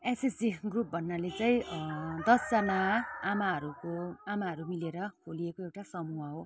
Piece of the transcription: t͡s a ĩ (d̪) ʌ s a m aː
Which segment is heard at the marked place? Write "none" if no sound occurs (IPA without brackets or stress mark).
d̪